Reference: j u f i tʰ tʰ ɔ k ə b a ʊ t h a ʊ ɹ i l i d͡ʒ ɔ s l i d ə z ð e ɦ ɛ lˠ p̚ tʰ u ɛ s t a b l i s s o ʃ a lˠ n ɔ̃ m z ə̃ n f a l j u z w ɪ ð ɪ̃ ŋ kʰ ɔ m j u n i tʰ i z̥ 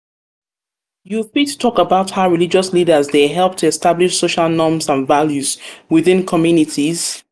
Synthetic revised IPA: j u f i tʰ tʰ ɔ k ə b a ʊ t h a ʊ ɹ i l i d͡ʒ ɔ s l i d ə z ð e ɦ ɛ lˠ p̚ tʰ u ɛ s t a b l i ʃ s o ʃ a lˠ n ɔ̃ m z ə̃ n v a l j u z w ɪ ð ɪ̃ n kʰ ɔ m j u n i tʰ i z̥